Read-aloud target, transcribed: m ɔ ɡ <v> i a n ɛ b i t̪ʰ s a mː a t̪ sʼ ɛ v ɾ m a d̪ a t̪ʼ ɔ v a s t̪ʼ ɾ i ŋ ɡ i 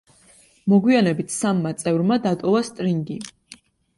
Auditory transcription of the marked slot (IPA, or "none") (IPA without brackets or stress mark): w